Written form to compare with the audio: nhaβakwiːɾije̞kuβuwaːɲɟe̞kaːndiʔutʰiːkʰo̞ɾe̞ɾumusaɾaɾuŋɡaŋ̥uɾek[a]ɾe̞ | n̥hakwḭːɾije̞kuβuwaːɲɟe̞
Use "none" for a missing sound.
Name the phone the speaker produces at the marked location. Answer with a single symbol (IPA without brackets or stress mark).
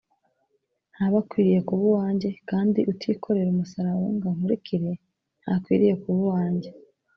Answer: i